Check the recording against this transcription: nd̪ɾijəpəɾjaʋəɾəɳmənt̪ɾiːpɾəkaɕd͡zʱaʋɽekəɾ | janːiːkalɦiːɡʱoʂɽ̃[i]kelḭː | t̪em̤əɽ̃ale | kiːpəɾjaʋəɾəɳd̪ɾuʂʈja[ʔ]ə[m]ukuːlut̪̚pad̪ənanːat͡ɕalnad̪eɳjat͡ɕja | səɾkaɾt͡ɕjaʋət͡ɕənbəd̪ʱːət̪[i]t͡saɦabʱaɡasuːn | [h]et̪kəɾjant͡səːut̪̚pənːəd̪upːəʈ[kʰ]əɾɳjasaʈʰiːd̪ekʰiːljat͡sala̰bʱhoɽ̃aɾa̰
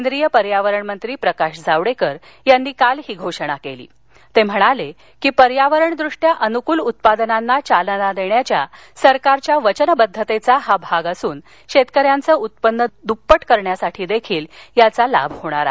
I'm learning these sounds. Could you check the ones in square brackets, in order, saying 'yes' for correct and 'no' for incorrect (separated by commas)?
no, yes, no, no, no, no